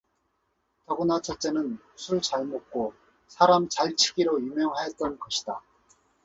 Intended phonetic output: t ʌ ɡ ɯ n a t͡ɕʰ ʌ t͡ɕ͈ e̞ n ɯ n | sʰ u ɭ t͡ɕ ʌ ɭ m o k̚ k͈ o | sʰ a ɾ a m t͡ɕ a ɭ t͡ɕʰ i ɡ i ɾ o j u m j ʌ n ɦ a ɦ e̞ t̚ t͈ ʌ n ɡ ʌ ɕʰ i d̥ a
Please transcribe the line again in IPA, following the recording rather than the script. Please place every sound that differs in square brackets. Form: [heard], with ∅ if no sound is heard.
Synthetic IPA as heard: t ʌ ɡ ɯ n a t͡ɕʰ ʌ t͡ɕ͈ e̞ n ɯ n | sʰ u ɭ t͡ɕ [a] ɭ m o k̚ k͈ o | sʰ a ɾ a m t͡ɕ a ɭ t͡ɕʰ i ɡ i ɾ o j u m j ʌ [ŋ] ɦ a ɦ e̞ t̚ t͈ ʌ n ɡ ʌ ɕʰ i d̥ a